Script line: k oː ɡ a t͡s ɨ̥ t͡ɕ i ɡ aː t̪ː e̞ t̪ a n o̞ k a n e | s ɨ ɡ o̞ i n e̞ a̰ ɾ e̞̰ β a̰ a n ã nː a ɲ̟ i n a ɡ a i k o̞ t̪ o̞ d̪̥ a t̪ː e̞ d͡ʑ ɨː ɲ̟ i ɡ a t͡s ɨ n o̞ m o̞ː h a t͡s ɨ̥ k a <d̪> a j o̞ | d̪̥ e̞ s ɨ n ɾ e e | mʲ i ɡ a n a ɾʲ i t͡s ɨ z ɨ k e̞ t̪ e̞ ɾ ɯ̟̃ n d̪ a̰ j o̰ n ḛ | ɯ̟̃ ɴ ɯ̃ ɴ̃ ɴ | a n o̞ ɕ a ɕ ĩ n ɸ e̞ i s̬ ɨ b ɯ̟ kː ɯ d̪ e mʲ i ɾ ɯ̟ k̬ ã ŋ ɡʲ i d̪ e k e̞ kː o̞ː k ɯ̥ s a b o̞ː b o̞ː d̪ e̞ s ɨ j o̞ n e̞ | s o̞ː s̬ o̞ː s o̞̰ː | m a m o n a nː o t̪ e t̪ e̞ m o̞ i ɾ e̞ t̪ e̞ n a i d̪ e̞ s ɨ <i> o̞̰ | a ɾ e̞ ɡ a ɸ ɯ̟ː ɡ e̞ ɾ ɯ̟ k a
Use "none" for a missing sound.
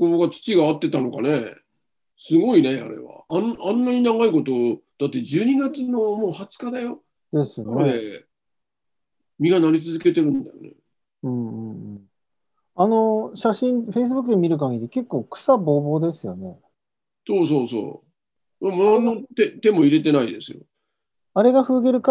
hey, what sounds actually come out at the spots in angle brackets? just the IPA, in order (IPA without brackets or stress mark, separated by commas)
d̪, j